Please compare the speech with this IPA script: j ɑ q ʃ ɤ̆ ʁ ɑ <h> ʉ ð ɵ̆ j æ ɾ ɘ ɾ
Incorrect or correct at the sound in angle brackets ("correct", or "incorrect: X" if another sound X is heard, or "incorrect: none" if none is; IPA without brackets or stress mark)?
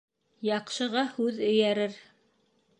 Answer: correct